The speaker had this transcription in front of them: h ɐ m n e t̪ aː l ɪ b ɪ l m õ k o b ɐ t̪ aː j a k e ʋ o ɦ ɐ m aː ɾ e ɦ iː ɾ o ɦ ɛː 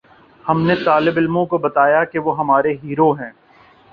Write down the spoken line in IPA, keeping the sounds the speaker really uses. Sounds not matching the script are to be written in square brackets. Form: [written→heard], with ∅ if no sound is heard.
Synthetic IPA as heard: h ɐ m n e t̪ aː l ɪ b ɪ l m õ k o b ɐ t̪ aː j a k e ʋ o ɦ ɐ m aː ɾ e ɦ iː ɾ o ɦ [ɛː→ɛ̃ː]